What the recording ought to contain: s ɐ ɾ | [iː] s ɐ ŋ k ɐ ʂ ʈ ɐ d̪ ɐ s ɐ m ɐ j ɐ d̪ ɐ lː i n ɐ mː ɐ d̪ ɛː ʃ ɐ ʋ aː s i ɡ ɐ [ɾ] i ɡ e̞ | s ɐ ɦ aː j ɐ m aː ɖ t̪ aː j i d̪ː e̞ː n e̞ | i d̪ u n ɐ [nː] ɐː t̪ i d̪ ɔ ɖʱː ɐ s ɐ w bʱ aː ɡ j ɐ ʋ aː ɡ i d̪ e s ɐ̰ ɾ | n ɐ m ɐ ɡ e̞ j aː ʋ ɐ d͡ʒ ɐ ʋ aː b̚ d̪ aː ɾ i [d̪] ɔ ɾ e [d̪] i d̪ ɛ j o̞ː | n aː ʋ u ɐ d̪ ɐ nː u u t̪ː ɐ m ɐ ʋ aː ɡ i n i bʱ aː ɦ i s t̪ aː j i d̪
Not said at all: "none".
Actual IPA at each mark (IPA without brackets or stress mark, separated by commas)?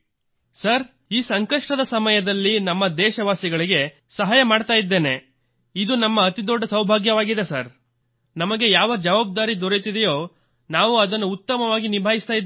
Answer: iː, ɭ, mː, d̪, t̪